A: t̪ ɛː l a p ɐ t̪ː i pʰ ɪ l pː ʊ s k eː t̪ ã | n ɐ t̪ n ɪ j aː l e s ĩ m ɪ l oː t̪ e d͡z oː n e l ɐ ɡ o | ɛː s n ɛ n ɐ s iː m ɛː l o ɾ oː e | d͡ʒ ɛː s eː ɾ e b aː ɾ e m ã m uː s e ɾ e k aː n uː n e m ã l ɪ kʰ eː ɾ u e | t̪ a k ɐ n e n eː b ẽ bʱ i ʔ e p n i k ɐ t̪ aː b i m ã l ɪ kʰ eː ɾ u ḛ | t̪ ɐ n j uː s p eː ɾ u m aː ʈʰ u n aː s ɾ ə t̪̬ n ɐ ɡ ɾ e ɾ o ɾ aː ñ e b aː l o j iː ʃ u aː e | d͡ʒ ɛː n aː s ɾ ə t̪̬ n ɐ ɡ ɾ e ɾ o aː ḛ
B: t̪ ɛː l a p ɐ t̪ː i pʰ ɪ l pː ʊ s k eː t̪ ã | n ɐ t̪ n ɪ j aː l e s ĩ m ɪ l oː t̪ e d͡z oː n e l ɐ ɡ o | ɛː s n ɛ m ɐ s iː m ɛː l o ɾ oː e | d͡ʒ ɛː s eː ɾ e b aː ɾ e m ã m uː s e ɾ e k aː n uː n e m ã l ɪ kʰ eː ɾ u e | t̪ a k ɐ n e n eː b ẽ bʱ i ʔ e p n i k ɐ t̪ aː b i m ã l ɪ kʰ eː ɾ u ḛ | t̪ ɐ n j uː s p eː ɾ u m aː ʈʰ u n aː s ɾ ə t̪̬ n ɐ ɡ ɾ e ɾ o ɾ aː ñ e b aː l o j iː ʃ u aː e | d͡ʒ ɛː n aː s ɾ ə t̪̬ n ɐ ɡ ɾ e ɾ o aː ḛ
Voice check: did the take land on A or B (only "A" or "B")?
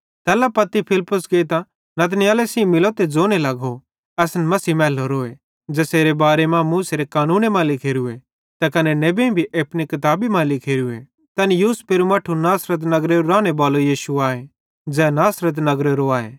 B